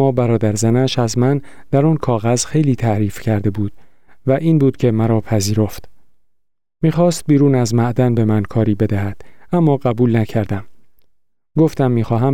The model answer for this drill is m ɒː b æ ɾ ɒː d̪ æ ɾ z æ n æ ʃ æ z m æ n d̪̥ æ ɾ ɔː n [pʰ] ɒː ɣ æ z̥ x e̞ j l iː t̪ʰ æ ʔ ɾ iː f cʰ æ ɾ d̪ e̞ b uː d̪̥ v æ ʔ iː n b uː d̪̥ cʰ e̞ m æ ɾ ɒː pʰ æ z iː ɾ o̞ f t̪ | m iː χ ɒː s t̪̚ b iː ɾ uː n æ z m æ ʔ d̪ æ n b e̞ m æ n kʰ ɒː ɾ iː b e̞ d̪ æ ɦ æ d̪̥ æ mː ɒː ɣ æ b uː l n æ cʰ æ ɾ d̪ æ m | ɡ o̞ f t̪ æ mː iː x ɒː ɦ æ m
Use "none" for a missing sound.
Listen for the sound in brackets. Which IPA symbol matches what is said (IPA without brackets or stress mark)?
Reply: kʰ